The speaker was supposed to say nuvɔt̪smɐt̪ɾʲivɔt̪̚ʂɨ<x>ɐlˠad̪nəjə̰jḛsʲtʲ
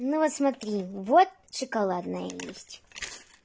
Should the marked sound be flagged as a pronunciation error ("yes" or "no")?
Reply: yes